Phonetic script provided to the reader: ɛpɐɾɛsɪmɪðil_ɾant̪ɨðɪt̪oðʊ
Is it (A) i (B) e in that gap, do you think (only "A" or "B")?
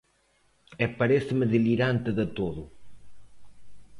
A